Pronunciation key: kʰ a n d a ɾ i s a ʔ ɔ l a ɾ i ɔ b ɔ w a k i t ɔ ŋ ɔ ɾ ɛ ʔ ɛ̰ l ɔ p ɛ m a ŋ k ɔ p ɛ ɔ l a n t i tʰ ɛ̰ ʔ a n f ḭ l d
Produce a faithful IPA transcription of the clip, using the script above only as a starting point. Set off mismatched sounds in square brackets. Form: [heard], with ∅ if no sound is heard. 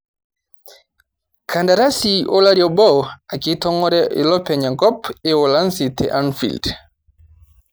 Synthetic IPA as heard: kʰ a n d a ɾ [a] s [i] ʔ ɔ l a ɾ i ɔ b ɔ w a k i t ɔ ŋ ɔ ɾ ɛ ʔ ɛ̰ l ɔ p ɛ [ɲ] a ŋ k ɔ p ɛ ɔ l a n [s] i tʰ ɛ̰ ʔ a n f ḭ l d